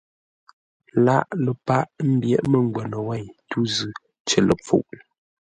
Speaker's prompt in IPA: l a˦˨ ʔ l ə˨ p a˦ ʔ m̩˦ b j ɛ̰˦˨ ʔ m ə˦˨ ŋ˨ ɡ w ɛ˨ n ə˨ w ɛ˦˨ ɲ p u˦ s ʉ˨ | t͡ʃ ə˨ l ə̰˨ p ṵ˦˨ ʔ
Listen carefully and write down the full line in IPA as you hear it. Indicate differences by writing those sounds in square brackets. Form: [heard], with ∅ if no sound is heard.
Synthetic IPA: l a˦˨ ʔ l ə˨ p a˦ ʔ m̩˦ b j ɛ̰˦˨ ʔ m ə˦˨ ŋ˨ ɡ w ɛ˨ n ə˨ w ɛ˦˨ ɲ [t] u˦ [z] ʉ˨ | t͡ʃ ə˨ l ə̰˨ [p͡f] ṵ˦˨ ʔ